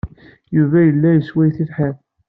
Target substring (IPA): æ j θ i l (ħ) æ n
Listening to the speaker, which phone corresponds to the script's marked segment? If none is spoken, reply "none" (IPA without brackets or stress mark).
ħ